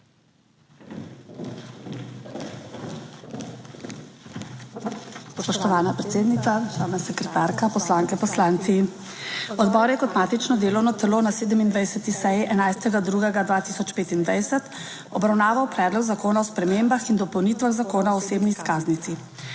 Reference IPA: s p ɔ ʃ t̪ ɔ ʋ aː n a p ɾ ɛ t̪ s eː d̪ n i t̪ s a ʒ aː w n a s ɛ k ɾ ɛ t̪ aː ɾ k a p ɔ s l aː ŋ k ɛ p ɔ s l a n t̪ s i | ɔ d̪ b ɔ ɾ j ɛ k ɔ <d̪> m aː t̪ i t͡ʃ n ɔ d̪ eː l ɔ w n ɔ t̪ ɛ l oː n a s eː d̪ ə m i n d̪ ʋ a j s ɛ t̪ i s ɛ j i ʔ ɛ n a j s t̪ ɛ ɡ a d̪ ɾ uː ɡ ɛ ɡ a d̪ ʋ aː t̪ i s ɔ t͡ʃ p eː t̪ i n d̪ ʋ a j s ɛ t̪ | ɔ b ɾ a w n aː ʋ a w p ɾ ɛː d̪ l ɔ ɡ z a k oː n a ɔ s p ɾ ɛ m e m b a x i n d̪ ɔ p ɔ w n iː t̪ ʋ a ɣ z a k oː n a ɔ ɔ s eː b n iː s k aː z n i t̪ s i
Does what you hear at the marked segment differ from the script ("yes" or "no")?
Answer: yes